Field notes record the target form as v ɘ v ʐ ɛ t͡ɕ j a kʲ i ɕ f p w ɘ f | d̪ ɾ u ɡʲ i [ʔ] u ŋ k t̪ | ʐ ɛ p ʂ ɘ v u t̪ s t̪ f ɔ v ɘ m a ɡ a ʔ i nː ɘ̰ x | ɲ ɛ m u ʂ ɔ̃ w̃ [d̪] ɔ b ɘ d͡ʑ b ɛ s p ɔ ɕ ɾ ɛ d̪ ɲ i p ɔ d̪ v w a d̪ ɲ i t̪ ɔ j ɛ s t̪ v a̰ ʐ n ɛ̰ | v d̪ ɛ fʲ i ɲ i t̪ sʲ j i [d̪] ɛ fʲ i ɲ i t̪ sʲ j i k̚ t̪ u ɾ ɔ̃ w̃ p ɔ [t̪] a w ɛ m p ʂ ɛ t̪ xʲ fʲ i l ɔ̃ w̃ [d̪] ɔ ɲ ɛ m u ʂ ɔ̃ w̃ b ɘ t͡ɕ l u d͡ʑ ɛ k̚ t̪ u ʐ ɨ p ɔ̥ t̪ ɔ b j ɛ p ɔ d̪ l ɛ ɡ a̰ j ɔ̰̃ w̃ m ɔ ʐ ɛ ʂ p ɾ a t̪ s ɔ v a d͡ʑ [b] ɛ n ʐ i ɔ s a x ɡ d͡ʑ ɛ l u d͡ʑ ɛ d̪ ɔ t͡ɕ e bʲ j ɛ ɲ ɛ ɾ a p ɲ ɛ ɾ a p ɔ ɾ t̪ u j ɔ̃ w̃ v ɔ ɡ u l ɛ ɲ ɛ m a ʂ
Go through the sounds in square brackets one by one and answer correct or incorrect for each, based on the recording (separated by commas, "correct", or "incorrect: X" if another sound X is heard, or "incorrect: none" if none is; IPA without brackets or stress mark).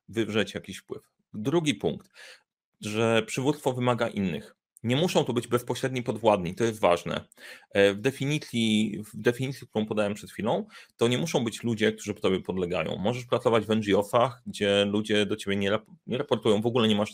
incorrect: p, incorrect: t̪, correct, incorrect: d̪, incorrect: t̪, incorrect: v